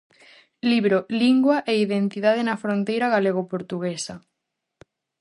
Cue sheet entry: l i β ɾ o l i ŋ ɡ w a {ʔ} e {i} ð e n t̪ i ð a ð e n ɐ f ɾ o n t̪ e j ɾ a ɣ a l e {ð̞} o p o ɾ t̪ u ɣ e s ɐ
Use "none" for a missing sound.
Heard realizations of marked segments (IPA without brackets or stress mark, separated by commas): ʔ, i, ɣ̞